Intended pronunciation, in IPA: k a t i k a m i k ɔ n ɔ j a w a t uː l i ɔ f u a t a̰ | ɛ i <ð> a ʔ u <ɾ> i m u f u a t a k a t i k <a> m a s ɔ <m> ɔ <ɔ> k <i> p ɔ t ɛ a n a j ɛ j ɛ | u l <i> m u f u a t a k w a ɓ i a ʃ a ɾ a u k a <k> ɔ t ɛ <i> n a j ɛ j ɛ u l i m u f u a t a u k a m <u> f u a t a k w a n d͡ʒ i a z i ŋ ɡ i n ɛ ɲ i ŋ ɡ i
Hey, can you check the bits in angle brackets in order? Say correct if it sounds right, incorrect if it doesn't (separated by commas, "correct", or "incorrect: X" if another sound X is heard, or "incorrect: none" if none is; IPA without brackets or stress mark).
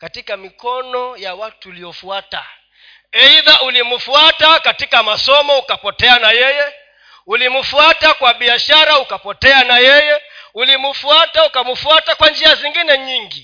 correct, incorrect: l, correct, correct, incorrect: u, incorrect: a, correct, incorrect: p, incorrect: a, correct